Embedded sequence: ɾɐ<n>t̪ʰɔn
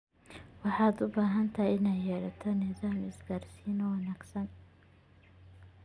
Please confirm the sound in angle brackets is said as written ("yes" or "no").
no